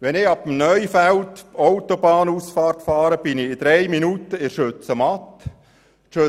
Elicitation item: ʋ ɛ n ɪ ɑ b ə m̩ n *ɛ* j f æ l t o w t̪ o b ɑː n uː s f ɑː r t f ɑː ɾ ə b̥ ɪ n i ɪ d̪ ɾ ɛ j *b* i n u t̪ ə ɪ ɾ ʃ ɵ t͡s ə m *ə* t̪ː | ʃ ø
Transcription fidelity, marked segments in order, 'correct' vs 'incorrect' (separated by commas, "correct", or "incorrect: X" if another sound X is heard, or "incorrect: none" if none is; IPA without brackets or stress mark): incorrect: œ, incorrect: m, incorrect: ɑ